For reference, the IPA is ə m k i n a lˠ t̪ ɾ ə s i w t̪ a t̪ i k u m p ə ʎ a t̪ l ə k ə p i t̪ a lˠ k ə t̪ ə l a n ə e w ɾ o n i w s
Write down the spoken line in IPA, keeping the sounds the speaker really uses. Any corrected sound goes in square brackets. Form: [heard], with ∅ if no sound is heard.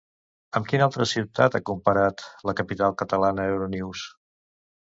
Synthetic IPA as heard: ə m k i n a lˠ t̪ ɾ ə s i w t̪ a t̪ [a] k u m p ə [ɾ] a t̪ l ə k ə p i t̪ a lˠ k ə t̪ ə l a n ə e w ɾ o n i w s